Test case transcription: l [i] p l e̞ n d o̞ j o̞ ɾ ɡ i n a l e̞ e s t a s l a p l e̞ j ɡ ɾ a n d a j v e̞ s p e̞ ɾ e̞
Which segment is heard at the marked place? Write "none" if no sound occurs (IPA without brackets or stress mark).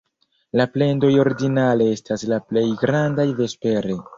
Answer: a